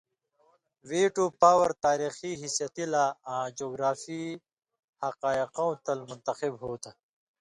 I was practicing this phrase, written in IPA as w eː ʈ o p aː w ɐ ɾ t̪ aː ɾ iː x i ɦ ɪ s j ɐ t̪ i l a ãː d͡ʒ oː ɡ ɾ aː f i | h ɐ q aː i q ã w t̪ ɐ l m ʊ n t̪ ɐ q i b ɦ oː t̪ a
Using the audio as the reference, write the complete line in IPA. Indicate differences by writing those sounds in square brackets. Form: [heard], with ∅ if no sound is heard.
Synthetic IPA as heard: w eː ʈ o p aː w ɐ ɾ t̪ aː ɾ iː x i ɦ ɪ s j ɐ t̪ i l a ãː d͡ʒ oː ɡ ɾ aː f i | h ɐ q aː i q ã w t̪ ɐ l m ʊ n t̪ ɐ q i b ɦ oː t̪ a